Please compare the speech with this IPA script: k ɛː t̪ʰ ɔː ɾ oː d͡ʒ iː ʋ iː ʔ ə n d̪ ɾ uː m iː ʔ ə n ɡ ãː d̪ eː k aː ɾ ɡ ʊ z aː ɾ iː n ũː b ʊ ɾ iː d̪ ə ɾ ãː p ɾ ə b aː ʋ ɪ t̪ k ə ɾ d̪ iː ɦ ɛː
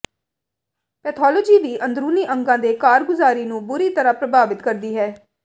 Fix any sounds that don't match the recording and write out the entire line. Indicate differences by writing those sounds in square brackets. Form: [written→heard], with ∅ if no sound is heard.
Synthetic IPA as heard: [k→p] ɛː t̪ʰ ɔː [ɾ→l] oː d͡ʒ iː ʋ iː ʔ ə n d̪ ɾ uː [m→n] iː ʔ ə [n→ŋ] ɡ ãː d̪ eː k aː ɾ ɡ ʊ z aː ɾ iː n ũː b ʊ ɾ iː [d̪→t̪] ə ɾ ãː p ɾ ə b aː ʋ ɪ t̪ k ə ɾ d̪ iː ɦ ɛː